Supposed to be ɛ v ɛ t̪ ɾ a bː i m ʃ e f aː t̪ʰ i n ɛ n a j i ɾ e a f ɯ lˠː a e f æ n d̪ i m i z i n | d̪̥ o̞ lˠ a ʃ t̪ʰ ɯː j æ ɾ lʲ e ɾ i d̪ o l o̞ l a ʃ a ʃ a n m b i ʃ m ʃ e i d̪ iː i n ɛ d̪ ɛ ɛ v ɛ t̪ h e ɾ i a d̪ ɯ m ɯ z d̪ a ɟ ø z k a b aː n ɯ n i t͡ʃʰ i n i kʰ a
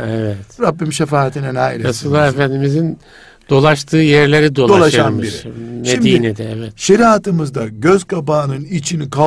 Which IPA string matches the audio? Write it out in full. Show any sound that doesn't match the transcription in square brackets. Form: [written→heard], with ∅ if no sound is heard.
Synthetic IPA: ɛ v ɛ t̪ ɾ a bː i m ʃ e f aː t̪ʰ i n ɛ n a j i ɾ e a [f→s] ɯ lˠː a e f æ n d̪ i m i z i n | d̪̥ o̞ lˠ a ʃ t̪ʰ ɯː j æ ɾ lʲ e ɾ i d̪ o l o̞ l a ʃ a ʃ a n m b i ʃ m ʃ e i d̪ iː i n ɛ d̪ ɛ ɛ v ɛ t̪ [h→ʃ] e ɾ i a [d̪→t̪] ɯ m ɯ z d̪ a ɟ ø z k a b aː n ɯ n i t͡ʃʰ i n i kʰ a